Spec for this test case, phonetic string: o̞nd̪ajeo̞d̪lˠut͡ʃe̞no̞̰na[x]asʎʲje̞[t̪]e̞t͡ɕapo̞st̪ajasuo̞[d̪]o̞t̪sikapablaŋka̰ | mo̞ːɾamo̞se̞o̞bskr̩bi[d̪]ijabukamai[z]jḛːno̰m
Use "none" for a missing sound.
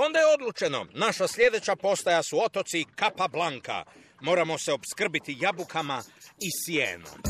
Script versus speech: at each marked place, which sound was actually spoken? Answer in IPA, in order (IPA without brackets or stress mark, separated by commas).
ʃ, d̪, t̪, t̪, s